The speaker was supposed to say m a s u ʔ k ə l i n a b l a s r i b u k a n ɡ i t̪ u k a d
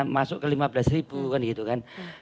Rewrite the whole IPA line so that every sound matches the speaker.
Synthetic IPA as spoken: m a s ʊ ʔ k ə l i m a b l a s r i b u k a n ɡ i t̪ u k a n